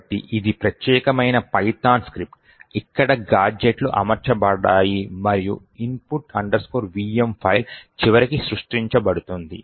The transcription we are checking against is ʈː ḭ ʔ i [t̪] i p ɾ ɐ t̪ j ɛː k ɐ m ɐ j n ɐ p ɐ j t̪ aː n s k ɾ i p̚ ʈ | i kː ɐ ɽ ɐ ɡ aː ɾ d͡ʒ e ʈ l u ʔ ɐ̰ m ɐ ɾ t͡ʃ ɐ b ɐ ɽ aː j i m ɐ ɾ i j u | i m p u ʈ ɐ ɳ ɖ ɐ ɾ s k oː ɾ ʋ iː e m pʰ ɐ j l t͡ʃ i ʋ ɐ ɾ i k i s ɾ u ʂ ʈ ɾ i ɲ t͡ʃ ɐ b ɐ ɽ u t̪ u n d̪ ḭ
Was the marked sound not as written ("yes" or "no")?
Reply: yes